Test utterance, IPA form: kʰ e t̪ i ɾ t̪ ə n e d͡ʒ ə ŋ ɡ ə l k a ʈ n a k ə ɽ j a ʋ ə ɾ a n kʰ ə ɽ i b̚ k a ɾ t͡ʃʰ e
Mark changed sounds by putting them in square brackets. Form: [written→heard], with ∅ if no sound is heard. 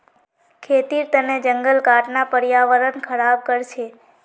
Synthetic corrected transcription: kʰ e t̪ i ɾ t̪ ə n e d͡ʒ ə ŋ ɡ ə l k a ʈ n a [k→p] ə [ɽ→ɾ] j a ʋ ə ɾ [a→ə] n kʰ ə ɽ [i→a] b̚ k [a→ə] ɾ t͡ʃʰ e